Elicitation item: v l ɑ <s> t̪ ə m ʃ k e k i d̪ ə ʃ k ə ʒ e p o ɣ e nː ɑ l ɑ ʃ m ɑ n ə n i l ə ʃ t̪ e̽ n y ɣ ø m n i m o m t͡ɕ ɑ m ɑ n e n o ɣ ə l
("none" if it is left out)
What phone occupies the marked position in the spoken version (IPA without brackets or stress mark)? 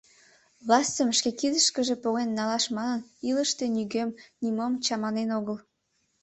s